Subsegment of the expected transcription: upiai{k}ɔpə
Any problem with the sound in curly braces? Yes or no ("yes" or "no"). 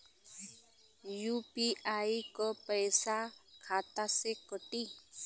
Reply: no